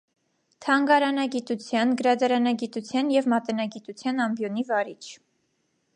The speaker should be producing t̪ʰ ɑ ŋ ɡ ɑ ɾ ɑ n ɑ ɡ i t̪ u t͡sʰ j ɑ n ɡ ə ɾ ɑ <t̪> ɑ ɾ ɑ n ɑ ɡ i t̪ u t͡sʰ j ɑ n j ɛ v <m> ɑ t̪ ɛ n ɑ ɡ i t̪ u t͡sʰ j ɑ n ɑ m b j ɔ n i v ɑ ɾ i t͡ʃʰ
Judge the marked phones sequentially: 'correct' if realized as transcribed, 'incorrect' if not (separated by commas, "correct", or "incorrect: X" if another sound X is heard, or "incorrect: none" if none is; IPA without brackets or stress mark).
incorrect: d̪, correct